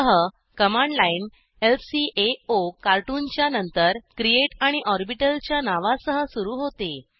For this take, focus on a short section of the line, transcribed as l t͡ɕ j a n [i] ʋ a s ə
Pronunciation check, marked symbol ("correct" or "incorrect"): incorrect